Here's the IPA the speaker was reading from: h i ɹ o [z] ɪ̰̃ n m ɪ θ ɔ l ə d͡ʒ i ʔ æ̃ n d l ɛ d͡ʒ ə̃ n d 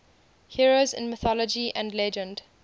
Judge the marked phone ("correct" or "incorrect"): correct